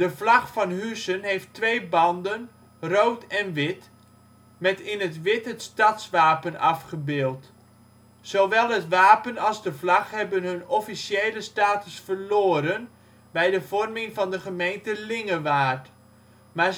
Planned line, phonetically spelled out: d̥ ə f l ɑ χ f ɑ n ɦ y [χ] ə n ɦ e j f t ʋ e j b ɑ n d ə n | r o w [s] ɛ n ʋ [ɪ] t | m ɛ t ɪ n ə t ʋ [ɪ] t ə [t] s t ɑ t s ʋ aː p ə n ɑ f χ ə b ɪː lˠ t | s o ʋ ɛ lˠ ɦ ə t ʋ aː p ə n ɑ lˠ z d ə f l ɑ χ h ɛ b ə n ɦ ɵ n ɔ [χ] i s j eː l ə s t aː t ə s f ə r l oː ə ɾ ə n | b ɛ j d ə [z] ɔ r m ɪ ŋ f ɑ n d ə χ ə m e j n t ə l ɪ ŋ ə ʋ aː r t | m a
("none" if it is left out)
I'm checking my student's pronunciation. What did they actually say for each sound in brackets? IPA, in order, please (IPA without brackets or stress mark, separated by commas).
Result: s, t, ɪ, ɪ, t, f, v